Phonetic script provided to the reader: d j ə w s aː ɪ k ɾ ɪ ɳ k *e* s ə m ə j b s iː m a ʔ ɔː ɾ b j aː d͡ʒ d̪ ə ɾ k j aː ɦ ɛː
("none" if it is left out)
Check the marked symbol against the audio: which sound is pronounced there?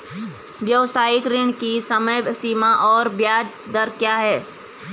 i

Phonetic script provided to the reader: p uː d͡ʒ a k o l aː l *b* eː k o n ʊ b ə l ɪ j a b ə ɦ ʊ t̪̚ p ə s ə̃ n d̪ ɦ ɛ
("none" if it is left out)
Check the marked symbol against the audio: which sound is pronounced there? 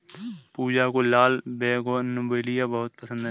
b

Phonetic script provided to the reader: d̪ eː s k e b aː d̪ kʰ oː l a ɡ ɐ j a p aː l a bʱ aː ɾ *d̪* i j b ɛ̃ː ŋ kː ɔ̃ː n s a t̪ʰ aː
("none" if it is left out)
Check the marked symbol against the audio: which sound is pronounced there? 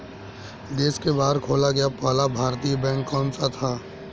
t̪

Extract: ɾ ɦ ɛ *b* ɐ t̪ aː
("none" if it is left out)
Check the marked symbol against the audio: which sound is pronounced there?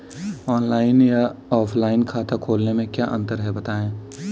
b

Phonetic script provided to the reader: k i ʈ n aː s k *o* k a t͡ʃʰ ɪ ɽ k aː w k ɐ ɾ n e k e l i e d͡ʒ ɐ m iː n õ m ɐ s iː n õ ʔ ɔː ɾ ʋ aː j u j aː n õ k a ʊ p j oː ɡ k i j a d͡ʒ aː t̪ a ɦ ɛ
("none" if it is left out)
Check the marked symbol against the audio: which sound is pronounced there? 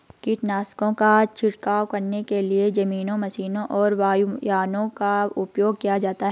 õ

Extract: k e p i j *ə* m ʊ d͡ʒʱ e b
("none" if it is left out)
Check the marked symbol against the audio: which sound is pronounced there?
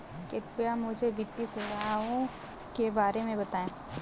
a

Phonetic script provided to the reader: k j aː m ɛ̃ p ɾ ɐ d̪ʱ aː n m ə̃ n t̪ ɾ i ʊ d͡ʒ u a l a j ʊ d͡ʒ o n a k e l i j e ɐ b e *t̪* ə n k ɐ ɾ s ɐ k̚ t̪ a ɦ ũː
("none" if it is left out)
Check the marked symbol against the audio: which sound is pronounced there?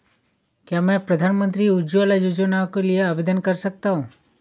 d̪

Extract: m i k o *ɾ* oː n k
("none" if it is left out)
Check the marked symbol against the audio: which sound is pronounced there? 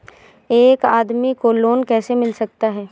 l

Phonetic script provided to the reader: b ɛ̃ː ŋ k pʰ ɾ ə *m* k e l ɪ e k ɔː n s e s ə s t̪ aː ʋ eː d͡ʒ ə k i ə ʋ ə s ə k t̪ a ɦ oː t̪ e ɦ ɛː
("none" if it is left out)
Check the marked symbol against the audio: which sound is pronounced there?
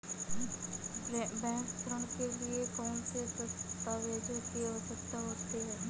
ɳ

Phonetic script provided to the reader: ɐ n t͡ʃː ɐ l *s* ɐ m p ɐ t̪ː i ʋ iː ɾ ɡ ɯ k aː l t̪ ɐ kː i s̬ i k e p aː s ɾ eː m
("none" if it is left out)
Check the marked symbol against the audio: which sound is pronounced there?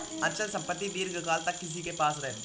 s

